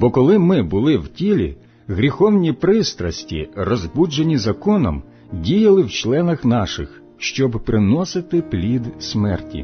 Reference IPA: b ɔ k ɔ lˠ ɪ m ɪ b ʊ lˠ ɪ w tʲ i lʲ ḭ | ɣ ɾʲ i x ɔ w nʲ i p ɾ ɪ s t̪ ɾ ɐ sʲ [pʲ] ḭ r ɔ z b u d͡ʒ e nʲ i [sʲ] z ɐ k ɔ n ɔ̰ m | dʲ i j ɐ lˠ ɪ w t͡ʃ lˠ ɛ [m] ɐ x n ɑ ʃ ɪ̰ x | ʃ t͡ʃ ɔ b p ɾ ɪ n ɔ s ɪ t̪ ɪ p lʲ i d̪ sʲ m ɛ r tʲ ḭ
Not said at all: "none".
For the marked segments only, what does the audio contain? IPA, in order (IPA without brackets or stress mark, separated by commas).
tʲ, none, n